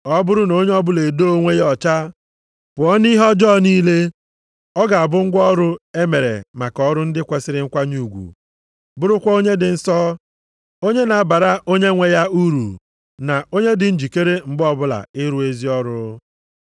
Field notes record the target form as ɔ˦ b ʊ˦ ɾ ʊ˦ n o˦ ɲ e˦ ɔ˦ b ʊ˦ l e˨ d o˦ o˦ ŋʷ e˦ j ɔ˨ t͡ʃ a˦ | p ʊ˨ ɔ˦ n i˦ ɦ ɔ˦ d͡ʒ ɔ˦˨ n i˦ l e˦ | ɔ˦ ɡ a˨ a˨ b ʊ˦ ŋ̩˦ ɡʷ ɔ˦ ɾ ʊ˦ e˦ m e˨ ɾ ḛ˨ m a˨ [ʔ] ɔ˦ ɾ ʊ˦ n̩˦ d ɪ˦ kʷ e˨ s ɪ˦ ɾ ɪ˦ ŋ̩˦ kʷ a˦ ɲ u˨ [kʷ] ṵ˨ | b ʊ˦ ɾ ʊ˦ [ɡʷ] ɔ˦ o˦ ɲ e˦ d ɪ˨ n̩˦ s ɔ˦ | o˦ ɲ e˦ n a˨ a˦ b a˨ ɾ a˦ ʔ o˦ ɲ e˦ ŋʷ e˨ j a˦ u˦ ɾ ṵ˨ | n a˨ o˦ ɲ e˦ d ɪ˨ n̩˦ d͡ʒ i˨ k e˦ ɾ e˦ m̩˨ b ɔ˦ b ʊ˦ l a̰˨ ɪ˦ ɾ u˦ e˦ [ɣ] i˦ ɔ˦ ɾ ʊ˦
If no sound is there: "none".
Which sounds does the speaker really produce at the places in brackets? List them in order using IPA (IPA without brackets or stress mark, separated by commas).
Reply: k, ɡʷ, kʷ, z